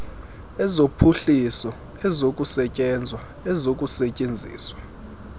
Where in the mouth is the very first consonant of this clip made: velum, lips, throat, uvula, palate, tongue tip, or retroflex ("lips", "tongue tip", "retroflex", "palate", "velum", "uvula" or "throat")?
tongue tip